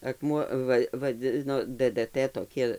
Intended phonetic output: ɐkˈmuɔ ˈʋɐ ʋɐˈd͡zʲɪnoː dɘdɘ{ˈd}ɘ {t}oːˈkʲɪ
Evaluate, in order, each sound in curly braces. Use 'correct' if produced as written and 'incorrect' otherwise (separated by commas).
incorrect, correct